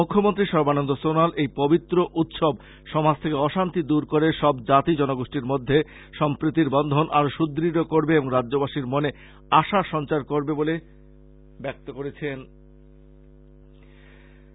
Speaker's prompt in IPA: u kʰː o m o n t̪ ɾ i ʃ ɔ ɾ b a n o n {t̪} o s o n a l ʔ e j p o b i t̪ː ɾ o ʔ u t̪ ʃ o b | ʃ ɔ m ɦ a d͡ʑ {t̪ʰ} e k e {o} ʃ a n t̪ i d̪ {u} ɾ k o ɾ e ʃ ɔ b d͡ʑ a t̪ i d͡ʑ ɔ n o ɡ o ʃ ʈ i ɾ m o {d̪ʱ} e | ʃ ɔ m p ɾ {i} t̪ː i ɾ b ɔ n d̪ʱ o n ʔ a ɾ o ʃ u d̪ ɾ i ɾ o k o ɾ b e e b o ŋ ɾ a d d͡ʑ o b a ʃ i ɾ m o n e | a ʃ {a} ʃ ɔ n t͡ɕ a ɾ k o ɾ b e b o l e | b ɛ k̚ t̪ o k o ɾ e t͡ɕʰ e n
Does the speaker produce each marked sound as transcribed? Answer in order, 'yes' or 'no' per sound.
no, yes, no, yes, no, yes, yes

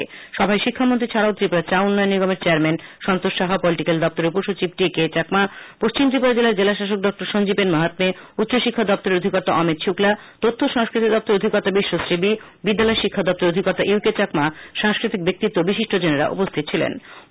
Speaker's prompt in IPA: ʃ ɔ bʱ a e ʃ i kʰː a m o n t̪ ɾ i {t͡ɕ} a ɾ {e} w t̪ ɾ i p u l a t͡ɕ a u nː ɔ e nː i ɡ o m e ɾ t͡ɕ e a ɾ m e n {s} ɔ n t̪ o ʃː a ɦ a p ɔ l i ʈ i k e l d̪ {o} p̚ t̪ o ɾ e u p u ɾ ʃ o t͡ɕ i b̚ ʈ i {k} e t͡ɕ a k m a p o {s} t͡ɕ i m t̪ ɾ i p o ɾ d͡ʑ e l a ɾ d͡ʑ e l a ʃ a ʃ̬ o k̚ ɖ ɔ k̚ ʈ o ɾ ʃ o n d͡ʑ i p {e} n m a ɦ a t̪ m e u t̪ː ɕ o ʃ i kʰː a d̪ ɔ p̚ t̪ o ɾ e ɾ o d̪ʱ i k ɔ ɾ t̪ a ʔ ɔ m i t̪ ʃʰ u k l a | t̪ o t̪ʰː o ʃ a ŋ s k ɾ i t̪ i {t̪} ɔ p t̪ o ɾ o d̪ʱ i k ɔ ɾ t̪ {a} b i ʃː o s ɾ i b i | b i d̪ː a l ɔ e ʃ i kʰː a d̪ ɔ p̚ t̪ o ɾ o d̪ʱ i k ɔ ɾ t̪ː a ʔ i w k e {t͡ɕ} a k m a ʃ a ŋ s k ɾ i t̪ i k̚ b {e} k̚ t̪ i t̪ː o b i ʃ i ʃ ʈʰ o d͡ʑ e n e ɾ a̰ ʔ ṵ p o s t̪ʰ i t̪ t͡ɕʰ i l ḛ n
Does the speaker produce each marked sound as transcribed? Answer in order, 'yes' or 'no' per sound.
no, no, no, no, yes, no, yes, no, yes, yes, yes

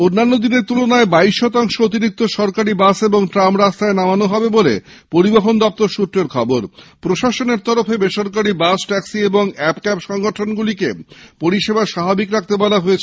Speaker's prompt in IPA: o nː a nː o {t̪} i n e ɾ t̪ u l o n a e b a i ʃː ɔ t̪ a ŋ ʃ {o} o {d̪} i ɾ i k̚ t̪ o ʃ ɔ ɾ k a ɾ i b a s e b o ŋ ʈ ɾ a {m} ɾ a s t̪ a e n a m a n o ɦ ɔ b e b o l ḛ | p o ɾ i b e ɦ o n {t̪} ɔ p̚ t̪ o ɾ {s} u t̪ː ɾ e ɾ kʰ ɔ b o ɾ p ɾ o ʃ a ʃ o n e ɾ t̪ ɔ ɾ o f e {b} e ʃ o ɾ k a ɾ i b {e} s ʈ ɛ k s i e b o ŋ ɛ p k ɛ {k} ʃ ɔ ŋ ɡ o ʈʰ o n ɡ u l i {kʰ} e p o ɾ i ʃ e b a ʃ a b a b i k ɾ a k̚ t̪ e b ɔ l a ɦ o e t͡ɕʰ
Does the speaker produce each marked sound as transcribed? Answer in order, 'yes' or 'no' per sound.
no, yes, no, yes, no, no, yes, no, no, no

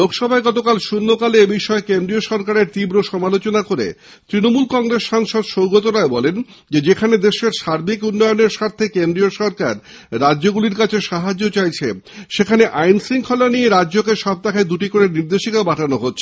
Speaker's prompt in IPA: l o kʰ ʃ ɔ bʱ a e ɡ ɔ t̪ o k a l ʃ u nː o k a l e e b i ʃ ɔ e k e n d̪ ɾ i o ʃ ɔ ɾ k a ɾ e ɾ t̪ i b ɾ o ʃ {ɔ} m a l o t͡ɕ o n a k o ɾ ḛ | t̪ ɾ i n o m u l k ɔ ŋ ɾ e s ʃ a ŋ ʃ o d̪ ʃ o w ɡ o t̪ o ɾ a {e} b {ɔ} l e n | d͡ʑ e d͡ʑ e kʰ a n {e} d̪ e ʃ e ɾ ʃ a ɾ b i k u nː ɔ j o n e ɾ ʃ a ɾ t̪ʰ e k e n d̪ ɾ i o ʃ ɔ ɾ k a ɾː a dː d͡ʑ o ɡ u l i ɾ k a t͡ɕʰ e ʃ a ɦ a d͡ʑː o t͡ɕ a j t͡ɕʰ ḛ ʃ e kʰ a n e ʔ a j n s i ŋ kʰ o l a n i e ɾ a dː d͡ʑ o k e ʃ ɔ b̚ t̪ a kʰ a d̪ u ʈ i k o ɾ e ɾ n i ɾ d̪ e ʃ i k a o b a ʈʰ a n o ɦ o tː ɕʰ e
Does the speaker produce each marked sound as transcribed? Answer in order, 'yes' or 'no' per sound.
yes, yes, yes, yes

